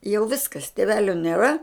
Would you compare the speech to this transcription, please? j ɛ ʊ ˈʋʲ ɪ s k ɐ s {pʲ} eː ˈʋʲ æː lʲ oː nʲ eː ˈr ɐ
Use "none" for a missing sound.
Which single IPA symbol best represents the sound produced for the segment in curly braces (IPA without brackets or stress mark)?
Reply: tʲ